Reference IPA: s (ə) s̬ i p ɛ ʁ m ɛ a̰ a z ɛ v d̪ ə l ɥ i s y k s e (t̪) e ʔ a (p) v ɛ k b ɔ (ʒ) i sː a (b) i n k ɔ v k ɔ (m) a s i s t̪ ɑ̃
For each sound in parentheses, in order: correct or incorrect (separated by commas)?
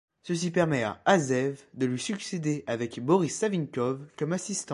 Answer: correct, incorrect, incorrect, incorrect, incorrect, correct